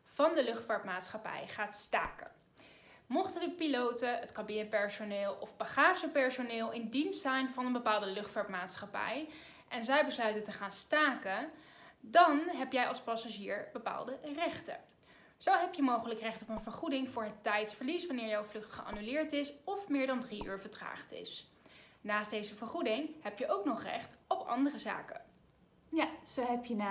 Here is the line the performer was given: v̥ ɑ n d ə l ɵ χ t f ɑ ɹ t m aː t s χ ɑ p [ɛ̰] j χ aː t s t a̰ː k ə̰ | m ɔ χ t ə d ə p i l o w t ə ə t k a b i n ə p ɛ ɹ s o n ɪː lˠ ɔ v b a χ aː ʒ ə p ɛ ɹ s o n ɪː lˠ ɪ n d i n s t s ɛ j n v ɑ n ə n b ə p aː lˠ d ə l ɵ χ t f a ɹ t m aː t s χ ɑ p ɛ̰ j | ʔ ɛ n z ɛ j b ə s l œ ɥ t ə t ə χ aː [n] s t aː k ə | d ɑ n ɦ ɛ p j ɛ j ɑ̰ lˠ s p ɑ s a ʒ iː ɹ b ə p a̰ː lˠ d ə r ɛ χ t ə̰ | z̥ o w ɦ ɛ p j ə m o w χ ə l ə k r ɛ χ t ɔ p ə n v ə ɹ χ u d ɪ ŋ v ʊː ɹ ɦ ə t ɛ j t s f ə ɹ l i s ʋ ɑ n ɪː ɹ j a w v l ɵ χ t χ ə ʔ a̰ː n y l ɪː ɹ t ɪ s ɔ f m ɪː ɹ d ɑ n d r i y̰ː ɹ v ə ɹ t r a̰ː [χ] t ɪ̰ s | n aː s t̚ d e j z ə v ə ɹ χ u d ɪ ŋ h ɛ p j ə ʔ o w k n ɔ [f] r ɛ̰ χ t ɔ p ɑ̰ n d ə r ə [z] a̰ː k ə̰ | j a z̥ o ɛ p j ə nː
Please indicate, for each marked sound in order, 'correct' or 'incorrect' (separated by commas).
correct, correct, correct, incorrect, correct